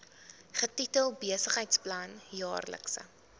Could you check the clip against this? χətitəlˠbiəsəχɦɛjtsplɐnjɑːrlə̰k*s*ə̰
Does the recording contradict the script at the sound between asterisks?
no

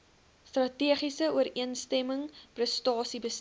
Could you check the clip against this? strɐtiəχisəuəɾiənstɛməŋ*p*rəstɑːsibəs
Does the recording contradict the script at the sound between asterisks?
no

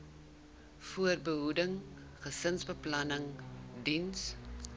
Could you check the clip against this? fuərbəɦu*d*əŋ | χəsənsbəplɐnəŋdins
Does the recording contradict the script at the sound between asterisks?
no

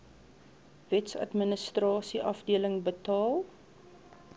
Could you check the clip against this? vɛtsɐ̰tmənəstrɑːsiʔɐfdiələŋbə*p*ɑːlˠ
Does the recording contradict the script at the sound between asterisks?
yes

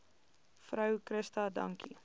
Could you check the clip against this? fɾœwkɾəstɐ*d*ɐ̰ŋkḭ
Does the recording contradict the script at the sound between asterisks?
no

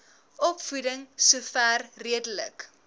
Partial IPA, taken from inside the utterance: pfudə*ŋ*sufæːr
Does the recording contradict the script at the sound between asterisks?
no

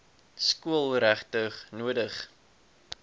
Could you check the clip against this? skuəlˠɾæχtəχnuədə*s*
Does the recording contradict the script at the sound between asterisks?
yes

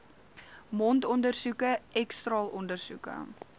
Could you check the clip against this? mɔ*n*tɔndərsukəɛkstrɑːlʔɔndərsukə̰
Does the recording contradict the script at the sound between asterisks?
no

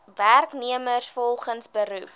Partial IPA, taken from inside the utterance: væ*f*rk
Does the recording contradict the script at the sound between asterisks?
yes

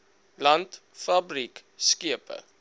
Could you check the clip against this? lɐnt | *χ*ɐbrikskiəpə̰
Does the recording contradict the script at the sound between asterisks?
yes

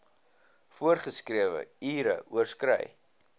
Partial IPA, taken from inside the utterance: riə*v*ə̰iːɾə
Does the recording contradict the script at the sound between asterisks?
no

